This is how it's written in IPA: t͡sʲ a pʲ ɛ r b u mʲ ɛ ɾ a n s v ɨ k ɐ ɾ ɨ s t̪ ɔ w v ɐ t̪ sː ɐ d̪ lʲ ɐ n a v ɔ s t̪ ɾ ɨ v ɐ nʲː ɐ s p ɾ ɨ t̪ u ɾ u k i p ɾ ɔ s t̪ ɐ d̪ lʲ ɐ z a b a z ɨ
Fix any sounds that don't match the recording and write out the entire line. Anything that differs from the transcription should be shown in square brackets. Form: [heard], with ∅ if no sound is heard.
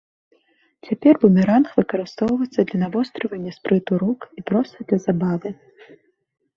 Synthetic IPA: t͡sʲ a pʲ ɛ r b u mʲ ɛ ɾ a n [x] v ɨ k ɐ ɾ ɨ s t̪ ɔ w v ɐ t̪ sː ɐ d̪ lʲ ɐ n a v ɔ s t̪ ɾ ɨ v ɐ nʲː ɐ s p ɾ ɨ t̪ u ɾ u k i p ɾ ɔ s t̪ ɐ d̪ lʲ ɐ z a b a [v] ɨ

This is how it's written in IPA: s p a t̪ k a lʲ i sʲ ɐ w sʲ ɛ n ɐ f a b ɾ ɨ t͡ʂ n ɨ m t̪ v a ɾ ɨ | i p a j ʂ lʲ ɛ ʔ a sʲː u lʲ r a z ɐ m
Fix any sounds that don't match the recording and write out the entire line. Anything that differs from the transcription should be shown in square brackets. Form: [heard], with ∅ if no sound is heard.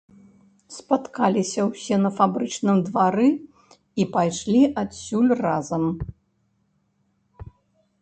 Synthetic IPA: s p a t̪ k a lʲ i sʲ ɐ w sʲ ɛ n ɐ f a b ɾ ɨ t͡ʂ n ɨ m [d̪] v a ɾ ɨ | i p a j ʂ lʲ [i] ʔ a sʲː u lʲ r a z ɐ m

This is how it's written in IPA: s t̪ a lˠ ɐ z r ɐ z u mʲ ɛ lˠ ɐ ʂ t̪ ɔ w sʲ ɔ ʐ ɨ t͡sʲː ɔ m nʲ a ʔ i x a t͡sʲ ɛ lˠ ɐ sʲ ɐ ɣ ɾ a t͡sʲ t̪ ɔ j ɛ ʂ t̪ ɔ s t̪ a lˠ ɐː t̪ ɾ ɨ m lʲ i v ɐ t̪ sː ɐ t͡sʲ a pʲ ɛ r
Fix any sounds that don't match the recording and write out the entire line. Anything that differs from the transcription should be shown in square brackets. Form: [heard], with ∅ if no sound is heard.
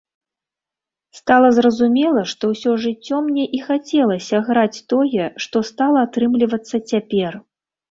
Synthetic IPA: s t̪ a lˠ ɐ z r ɐ z u mʲ ɛ lˠ ɐ ʂ t̪ ɔ w sʲ ɔ ʐ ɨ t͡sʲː ɔ m nʲ [ɛ] ʔ i x a t͡sʲ ɛ lˠ ɐ sʲ ɐ ɣ ɾ a t͡sʲ t̪ ɔ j ɛ ʂ t̪ ɔ s t̪ a lˠ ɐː t̪ ɾ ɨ m lʲ i v ɐ t̪ sː ɐ t͡sʲ a pʲ ɛ r

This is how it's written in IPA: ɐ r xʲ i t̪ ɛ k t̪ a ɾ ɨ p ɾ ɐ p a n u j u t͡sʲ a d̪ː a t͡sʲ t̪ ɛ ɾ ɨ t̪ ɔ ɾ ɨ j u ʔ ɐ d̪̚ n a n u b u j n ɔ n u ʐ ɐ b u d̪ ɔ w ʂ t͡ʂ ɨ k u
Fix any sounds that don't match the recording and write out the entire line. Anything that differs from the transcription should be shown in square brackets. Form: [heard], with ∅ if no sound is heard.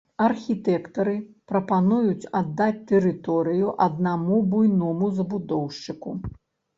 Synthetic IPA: ɐ r xʲ i t̪ ɛ k t̪ [ɐ] ɾ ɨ p ɾ ɐ p a n u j u t͡sʲ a d̪ː a t͡sʲ t̪ ɛ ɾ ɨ t̪ ɔ ɾ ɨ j u ʔ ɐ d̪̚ n a [m] u b u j n ɔ [m] u [z] ɐ b u d̪ ɔ w ʂ t͡ʂ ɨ k u

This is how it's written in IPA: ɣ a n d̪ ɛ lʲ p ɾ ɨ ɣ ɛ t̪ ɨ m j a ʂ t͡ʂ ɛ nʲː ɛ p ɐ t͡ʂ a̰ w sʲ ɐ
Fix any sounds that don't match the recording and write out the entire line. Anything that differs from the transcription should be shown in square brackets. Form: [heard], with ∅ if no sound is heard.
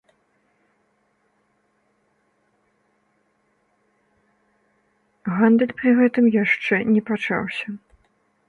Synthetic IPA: ɣ a n d̪ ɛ lʲ p ɾ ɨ ɣ ɛ t̪ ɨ m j a ʂ t͡ʂ ɛ [nʲ] ɛ p [a] t͡ʂ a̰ w sʲ ɐ

